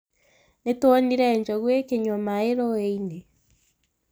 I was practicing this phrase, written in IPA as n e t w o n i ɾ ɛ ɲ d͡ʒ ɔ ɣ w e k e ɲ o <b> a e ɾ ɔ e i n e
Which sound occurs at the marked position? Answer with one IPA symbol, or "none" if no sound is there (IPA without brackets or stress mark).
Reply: m